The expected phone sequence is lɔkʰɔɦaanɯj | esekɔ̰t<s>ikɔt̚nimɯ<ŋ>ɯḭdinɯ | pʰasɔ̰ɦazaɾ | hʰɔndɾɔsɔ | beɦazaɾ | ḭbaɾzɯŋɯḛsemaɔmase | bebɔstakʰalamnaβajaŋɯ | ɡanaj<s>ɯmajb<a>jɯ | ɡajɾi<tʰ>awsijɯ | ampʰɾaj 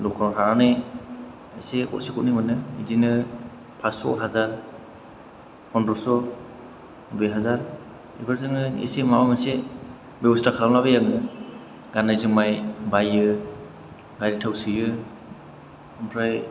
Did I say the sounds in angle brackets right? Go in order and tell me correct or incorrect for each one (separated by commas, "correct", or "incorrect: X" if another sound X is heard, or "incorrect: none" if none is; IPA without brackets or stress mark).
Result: correct, incorrect: n, incorrect: z, correct, correct